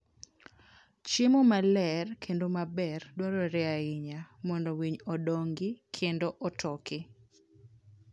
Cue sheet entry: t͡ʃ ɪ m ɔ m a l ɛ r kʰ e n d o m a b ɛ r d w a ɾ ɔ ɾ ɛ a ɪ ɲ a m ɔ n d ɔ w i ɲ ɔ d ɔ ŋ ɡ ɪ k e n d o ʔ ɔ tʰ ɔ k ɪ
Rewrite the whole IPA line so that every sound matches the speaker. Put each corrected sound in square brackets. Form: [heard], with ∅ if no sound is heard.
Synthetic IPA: t͡ʃ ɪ m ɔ m a l ɛ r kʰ e n d o m a b ɛ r d w a ɾ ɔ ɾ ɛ a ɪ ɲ a m ɔ n d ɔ w i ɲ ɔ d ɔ ŋ ɡ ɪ [kʰ] e n d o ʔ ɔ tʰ ɔ k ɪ